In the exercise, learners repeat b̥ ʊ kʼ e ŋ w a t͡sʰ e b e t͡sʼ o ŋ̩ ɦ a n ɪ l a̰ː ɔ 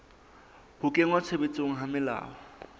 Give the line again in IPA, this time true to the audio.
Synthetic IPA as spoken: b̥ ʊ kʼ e ŋ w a t͡sʰ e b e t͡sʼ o ŋ̩ ɦ a m ɪ l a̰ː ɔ